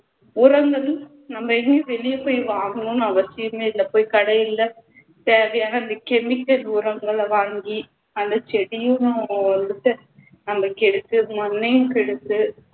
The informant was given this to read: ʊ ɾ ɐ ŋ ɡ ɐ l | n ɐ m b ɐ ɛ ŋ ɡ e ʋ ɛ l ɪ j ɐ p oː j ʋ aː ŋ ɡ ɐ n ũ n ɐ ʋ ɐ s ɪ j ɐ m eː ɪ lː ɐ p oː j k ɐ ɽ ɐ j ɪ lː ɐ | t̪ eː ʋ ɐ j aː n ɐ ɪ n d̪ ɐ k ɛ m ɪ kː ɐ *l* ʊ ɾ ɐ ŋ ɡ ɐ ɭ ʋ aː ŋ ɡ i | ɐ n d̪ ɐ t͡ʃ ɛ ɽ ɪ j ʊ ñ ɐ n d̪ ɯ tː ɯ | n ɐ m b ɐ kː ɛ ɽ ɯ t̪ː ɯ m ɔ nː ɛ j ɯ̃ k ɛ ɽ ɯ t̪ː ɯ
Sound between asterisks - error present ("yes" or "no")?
no